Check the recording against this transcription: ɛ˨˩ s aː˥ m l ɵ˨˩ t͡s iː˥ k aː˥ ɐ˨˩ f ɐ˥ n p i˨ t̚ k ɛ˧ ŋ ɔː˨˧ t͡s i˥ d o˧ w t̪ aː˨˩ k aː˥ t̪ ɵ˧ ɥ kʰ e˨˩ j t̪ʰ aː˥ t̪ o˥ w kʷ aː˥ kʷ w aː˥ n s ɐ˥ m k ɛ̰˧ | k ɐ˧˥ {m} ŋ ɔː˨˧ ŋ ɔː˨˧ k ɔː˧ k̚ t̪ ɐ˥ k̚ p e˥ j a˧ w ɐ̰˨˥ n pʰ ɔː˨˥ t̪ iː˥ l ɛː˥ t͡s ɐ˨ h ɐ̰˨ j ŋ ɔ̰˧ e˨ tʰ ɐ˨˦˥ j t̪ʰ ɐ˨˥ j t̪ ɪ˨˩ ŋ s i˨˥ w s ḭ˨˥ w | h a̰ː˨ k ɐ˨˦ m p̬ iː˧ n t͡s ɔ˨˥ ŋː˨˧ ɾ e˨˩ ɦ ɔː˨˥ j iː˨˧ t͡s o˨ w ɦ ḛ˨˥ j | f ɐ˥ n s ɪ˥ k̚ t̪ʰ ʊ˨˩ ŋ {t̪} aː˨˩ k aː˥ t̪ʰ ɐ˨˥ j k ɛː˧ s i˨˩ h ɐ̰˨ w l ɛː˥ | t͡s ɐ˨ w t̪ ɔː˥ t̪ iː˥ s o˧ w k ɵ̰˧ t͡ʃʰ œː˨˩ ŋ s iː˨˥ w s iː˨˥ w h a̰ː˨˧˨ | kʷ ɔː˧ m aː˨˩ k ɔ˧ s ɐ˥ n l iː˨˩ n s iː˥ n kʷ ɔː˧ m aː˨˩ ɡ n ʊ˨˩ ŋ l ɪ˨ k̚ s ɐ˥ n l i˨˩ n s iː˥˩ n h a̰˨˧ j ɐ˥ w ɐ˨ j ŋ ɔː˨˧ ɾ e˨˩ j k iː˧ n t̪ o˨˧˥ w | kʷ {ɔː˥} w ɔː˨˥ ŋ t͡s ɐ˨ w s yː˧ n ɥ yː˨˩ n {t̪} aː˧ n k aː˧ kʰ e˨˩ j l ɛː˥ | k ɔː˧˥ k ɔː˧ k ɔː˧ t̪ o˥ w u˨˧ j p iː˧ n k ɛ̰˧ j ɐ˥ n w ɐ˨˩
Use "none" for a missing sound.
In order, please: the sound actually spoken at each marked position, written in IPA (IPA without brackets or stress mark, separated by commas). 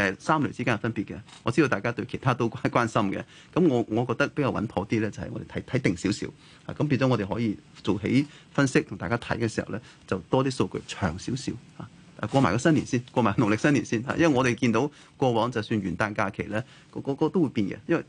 m, t̪, ɔː˧, t̪